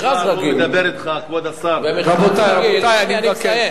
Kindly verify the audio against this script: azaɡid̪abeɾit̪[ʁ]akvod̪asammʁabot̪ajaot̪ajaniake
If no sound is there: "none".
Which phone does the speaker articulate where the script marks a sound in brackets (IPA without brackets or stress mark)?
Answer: χ